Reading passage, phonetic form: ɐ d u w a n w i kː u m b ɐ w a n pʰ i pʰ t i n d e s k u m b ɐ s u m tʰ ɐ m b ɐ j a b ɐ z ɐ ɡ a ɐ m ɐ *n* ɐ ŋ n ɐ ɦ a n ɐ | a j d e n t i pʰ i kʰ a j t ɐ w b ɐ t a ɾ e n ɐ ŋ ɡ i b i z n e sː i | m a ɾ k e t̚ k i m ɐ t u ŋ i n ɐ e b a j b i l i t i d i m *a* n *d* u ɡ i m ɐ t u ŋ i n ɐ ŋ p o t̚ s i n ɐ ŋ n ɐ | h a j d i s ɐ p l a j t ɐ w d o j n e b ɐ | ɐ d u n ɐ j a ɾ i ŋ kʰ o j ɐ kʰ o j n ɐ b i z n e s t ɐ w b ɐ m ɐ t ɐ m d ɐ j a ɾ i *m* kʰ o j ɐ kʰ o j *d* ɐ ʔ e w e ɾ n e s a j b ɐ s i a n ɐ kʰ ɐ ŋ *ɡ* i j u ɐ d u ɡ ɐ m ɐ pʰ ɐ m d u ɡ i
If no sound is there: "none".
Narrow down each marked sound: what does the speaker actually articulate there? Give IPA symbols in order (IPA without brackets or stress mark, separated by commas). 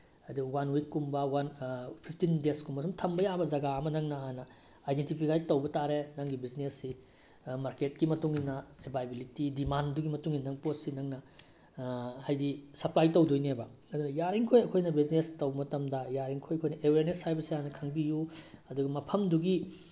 n, a, d, ŋ, n, b